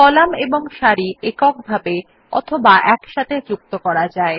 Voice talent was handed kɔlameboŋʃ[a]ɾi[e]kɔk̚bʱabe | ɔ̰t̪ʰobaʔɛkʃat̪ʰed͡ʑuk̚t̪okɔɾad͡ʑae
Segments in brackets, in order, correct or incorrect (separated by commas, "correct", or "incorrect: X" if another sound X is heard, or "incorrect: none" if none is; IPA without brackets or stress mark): correct, correct